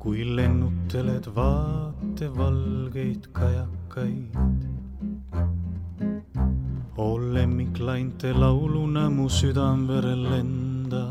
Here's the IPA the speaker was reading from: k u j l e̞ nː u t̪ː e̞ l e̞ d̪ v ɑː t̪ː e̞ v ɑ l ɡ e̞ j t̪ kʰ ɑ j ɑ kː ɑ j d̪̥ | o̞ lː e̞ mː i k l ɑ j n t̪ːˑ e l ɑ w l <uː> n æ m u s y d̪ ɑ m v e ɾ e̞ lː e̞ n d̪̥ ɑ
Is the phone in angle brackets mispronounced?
yes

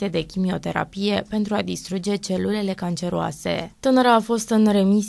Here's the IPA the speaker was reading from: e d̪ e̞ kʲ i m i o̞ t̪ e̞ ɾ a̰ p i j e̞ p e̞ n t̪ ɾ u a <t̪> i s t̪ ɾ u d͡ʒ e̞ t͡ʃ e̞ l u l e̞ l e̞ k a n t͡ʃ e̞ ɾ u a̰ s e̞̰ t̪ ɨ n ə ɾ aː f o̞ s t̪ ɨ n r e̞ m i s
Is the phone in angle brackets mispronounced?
yes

